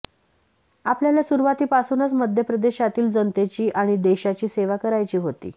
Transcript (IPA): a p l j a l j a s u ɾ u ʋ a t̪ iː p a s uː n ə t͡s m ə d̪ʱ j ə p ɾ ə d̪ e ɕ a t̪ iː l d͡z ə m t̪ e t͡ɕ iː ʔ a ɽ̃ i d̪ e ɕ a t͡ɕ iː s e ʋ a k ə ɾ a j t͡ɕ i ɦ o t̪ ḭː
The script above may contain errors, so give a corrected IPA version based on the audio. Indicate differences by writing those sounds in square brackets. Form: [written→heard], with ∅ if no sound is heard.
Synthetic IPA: a p l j a l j a s u ɾ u ʋ a t̪ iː p a s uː n ə t͡s m ə d̪ʱ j ə p ɾ ə d̪ e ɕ a t̪ iː l d͡z ə [m→n] t̪ e t͡ɕ iː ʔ a ɽ̃ i d̪ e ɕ a t͡ɕ iː s e ʋ a k ə ɾ a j t͡ɕ [i→iː] ɦ o t̪ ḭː